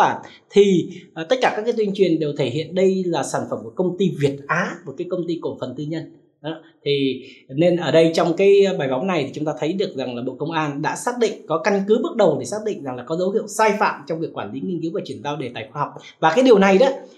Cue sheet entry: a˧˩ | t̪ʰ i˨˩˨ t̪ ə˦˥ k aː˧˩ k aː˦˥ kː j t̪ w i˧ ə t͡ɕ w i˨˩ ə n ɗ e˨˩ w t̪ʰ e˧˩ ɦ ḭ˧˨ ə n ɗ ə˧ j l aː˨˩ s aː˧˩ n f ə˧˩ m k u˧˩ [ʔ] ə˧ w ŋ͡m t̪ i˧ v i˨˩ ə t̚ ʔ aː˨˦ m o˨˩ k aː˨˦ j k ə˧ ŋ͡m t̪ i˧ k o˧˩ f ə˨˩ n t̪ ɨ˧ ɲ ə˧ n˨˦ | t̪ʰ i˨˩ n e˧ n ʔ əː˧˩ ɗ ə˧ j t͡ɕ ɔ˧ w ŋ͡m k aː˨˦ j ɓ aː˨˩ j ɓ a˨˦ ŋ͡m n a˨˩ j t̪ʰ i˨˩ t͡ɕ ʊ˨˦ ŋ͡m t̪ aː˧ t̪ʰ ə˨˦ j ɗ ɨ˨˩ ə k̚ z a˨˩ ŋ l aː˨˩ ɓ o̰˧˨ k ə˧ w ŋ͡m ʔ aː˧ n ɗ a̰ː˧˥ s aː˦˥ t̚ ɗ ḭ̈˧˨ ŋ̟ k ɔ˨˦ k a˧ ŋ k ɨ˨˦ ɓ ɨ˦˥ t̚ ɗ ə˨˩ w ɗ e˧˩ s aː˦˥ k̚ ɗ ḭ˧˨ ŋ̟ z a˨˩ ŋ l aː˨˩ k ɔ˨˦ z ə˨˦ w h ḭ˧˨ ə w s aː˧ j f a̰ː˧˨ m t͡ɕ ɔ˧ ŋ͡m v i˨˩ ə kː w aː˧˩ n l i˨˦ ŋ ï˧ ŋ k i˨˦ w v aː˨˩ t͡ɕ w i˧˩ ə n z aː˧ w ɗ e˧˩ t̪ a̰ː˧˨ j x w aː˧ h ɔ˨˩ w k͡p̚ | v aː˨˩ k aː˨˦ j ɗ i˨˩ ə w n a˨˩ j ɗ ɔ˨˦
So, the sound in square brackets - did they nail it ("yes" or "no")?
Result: no